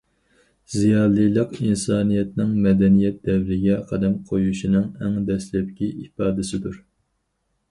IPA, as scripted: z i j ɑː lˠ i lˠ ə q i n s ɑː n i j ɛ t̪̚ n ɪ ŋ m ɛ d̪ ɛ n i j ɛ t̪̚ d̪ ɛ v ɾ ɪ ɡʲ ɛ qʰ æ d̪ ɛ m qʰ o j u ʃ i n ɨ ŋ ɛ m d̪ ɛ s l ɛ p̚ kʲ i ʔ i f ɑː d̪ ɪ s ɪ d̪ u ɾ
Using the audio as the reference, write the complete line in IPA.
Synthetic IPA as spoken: z i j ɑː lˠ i lˠ ə q i n s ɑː n i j ɛ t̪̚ n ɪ ŋ m ɛ d̪ ɛ n i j ɛ t̪̚ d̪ ɛ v ɾ ɪ ɡʲ ɛ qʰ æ d̪ ɛ m qʰ o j u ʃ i n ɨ ŋ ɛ ŋ d̪ ɛ s l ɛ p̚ kʲ i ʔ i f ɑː d̪ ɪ s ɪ d̪ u ɾ